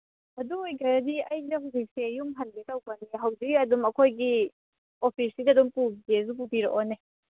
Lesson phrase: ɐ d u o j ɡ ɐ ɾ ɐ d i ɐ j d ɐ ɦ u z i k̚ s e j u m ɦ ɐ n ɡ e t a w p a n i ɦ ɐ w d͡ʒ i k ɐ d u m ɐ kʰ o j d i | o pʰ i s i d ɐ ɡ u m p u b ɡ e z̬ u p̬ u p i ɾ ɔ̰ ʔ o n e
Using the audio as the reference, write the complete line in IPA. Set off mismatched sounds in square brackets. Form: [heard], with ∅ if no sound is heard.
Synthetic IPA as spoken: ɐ d u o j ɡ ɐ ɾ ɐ d i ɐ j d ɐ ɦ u z i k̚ s e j u m ɦ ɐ n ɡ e t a w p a n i ɦ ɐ w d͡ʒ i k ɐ d u m ɐ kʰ o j [ɡ] i | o pʰ i s i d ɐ [d] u m p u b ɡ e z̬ u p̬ u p i ɾ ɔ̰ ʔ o n e